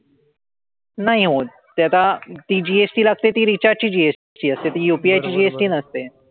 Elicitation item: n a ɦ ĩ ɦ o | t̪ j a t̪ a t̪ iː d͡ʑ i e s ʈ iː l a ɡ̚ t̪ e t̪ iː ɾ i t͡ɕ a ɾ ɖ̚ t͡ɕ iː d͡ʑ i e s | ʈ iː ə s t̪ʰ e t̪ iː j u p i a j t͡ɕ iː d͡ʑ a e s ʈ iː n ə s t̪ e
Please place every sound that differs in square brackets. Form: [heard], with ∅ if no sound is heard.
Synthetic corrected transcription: n a ɦ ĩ ɦ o | t̪ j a t̪ a t̪ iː d͡ʑ i e s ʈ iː l a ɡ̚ t̪ e t̪ iː ɾ i t͡ɕ a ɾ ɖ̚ t͡ɕ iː d͡ʑ i e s | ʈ iː ə s [t̪] e t̪ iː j u p i a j t͡ɕ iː d͡ʑ [i] e s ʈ iː n ə s t̪ e